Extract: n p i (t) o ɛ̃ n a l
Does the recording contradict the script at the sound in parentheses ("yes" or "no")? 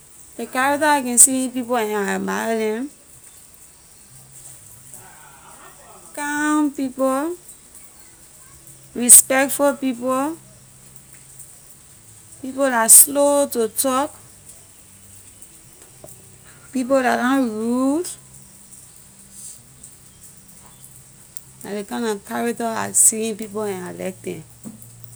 yes